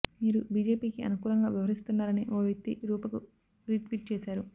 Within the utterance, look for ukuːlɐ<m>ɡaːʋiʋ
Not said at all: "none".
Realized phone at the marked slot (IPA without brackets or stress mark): ŋ